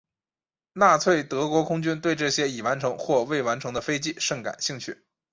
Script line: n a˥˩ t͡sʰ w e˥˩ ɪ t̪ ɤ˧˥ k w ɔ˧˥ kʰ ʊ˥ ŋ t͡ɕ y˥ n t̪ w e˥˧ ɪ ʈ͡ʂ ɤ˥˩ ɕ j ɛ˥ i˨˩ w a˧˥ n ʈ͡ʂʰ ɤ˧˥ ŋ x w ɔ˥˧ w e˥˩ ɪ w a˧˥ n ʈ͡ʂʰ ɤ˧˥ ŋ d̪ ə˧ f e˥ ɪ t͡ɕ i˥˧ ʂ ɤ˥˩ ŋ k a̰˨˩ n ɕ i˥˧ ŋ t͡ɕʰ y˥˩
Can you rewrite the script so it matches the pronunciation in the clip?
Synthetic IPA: n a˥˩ t͡sʰ w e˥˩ ɪ t̪ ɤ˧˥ k w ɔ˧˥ kʰ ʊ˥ ŋ t͡ɕ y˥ n t̪ w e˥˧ ɪ ʈ͡ʂ ɤ˥˩ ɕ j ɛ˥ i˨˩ w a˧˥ n ʈ͡ʂʰ ɤ˧˥ ŋ x w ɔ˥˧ w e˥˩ ɪ w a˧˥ n ʈ͡ʂʰ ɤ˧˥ ŋ d̪ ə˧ f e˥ ɪ t͡ɕ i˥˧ ʂ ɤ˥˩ ŋ k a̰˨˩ n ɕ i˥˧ ŋ t͡ɕʰ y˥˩

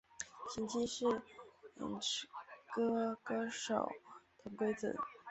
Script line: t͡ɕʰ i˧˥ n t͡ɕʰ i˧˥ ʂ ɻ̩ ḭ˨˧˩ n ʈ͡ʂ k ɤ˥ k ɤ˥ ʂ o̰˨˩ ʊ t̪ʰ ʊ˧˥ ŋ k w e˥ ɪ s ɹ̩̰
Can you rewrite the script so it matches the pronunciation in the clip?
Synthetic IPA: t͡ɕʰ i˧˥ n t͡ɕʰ i˥ ʂ ɻ̩ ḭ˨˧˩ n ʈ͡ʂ k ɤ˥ k ɤ˥ ʂ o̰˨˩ ʊ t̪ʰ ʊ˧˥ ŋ k w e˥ ɪ t͡s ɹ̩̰

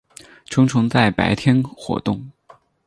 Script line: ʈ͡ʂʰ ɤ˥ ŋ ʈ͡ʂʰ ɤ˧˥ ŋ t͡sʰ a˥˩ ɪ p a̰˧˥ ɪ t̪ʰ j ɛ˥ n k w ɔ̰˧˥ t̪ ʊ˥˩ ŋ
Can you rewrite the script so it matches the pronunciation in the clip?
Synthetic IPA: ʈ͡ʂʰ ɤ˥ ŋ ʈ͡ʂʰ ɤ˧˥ ŋ t͡s a˥˩ ɪ p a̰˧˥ ɪ t̪ʰ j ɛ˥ n x w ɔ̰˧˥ t̪ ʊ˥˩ ŋ

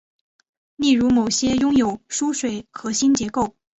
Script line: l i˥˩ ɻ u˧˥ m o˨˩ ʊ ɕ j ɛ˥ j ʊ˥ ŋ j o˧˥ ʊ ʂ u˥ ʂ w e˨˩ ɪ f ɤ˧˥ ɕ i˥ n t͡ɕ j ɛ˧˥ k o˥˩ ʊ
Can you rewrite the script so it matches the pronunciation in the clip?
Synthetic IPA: l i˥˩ ɻ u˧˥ m o˨˩ ʊ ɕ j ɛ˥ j ʊ˥ ŋ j o˨˩ ʊ ʂ u˥ ʂ w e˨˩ ɪ x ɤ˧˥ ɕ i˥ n t͡ɕ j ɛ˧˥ k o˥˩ ʊ

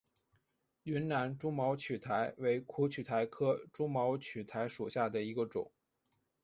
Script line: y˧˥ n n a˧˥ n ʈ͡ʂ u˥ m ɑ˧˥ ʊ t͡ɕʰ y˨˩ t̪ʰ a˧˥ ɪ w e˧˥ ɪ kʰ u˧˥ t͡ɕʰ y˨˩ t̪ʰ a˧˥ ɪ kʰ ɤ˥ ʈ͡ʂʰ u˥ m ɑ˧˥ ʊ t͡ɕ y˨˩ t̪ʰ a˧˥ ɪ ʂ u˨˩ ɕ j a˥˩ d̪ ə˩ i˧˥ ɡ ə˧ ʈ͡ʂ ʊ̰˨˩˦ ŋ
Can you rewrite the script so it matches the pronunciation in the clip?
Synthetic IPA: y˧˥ n n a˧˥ n ʈ͡ʂ u˥ m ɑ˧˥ ʊ t͡ɕʰ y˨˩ t̪ʰ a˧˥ ɪ w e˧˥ ɪ kʰ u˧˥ t͡ɕʰ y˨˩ t̪ʰ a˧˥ ɪ kʰ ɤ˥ ʈ͡ʂ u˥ m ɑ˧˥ ʊ t͡ɕʰ y˨˩ t̪ʰ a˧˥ ɪ ʂ u˨˩ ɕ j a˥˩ d̪ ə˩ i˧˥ ɡ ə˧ ʈ͡ʂ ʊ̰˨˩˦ ŋ

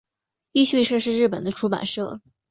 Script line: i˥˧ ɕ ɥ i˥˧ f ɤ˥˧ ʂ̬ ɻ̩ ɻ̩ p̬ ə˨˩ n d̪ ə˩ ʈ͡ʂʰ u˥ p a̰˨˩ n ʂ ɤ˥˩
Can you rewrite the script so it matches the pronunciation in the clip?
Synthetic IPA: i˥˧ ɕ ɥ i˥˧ ʂ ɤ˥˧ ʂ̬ ɻ̩ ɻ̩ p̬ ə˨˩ n d̪ ə˦ ʈ͡ʂʰ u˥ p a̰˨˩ n ʂ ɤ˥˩

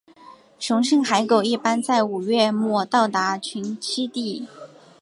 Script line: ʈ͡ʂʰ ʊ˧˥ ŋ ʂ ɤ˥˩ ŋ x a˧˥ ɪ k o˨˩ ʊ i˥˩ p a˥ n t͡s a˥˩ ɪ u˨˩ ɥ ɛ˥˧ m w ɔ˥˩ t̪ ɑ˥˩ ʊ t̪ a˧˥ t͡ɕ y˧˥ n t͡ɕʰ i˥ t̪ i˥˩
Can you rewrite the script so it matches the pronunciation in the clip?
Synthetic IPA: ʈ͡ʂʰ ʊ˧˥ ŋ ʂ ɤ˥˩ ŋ x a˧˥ ɪ k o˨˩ ʊ i˥˩ p a˥ n t͡s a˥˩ ɪ u˨˩ ɥ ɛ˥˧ m w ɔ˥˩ t̪ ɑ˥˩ ʊ t̪ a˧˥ t͡ɕʰ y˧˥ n t͡ɕʰ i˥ t̪ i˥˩

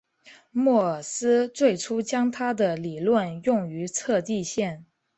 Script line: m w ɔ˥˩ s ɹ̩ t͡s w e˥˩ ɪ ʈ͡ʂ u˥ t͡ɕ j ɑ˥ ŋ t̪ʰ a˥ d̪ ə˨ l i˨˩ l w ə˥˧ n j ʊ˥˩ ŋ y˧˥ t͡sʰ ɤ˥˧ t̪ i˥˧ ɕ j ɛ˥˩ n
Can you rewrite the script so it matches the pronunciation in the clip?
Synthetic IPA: m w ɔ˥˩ s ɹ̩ t͡s w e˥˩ ɪ ʈ͡ʂʰ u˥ t͡ɕ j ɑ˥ ŋ t̪ʰ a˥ d̪ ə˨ l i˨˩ l w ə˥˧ n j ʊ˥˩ ŋ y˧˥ t͡sʰ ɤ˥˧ t̪ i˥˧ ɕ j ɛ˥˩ n

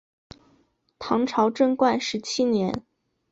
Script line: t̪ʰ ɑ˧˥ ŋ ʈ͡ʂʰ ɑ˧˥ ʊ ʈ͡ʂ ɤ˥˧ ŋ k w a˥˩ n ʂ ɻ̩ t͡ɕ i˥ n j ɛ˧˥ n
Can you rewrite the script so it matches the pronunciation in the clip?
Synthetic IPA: t̪ʰ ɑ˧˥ ŋ ʈ͡ʂʰ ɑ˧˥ ʊ ʈ͡ʂ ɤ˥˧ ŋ k w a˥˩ n ʂ ɻ̩ t͡ɕʰ i˥ n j ɛ˧˥ n

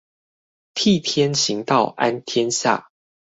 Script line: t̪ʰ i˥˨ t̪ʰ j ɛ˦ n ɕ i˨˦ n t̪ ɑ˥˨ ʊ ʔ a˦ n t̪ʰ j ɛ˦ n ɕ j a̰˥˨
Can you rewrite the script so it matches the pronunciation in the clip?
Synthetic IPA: t̪ʰ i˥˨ t̪ʰ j ɛ˦ n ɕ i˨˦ ŋ t̪ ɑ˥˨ ʊ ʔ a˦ n t̪ʰ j ɛ˦ n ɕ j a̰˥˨

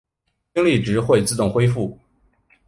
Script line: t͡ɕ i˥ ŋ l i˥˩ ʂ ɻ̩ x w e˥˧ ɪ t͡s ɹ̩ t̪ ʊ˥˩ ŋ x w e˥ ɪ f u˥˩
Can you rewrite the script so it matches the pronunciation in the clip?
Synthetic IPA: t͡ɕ i˥ ŋ l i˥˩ ʈ͡ʂ ɻ̩ x w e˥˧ ɪ t͡s ɹ̩ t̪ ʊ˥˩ ŋ x w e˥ ɪ f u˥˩

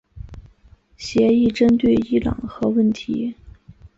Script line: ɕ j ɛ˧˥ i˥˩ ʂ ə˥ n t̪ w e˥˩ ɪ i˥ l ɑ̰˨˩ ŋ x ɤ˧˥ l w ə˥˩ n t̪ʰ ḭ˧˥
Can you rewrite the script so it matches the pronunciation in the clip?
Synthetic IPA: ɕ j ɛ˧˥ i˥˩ ʈ͡ʂ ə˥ n t̪ w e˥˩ ɪ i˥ l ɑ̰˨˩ ŋ x ɤ˧˥ w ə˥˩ n t̪ʰ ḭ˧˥

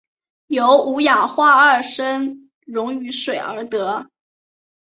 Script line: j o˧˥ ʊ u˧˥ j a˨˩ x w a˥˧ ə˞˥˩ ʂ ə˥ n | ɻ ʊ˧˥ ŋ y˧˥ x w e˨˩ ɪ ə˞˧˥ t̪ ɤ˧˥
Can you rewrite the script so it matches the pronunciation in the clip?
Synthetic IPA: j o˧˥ ʊ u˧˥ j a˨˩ x w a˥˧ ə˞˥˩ ʂ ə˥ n | ɻ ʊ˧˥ ŋ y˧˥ ʂ w e˨˩ ɪ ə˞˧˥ t̪ ɤ˧˥

